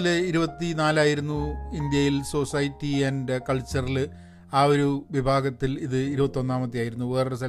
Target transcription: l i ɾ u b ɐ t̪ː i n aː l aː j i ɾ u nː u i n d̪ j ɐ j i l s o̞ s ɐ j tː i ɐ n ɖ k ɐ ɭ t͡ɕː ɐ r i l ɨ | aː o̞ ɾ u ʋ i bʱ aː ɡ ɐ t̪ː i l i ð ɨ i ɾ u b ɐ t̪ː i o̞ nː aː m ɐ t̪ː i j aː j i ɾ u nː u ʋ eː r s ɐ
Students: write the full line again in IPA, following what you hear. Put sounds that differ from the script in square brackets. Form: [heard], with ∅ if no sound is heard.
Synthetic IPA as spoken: l i ɾ u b ɐ t̪ː i n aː l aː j i ɾ u nː u i n d̪ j ɐ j i l s o̞ s ɐ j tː i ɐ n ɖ k ɐ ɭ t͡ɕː ɐ r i l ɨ | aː o̞ ɾ u ʋ i bʱ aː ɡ ɐ t̪ː i l i ð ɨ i ɾ u b ɐ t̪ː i o̞ nː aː m ɐ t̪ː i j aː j i ɾ u nː u ʋ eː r s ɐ